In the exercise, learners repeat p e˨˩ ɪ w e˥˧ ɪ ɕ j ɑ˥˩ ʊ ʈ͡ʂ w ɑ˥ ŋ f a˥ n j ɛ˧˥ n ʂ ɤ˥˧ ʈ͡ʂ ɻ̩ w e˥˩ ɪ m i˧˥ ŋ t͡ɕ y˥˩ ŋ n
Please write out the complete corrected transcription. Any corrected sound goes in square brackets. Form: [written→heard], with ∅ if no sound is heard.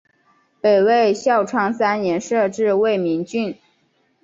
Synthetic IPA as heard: p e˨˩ ɪ w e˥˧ ɪ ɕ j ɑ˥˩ ʊ [ʈ͡ʂ→ʈ͡ʂʰ] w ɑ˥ ŋ [f→s] a˥ n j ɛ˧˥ n ʂ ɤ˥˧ ʈ͡ʂ ɻ̩ w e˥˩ ɪ m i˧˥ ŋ t͡ɕ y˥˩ [ŋ→∅] n